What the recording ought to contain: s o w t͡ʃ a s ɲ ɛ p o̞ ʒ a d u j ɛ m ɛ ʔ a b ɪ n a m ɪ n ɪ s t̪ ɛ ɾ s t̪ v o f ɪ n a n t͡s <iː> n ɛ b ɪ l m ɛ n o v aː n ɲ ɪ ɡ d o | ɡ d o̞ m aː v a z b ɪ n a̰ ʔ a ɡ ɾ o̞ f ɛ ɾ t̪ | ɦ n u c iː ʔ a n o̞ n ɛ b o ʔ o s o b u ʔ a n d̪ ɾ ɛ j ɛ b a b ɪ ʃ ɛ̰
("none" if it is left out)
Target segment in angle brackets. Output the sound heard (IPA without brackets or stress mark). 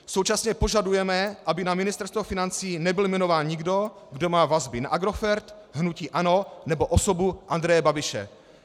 iː